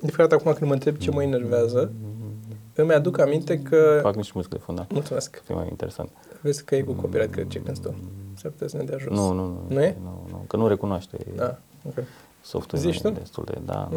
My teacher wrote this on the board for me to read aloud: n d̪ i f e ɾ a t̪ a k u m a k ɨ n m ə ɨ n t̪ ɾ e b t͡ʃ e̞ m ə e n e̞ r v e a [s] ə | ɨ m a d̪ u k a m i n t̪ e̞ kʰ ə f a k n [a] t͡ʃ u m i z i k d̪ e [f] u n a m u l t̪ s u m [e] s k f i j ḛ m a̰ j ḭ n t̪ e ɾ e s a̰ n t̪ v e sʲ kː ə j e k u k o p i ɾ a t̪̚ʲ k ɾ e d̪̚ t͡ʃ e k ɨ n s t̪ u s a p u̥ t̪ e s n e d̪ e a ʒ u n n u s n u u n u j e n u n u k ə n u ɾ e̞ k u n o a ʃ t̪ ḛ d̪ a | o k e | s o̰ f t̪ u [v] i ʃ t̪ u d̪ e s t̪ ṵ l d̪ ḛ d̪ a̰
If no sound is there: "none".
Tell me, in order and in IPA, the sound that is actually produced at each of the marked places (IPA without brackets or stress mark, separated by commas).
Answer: z, i, f, e, z